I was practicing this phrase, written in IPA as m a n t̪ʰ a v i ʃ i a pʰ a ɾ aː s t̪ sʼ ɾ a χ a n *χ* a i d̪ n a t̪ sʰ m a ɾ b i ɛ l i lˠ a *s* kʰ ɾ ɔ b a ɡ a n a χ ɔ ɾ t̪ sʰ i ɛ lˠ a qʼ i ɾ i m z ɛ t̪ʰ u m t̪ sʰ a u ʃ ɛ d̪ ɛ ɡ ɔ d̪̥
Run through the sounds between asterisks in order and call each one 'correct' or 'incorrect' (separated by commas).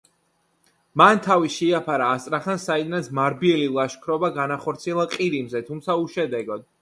incorrect, incorrect